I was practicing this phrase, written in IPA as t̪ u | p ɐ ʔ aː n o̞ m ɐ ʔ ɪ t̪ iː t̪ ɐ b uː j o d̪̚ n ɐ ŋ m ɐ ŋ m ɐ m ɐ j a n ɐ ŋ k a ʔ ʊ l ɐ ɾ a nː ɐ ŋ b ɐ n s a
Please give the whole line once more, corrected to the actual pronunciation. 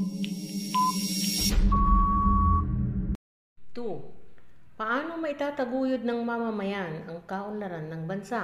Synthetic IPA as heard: t̪ u | p ɐ ʔ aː n o̞ m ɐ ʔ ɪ t̪ aː t̪ ɐ ɡ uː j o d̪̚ n ɐ ŋ m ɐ m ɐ m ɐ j a n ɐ ŋ k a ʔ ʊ l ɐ ɾ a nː ɐ ŋ b ɐ n s a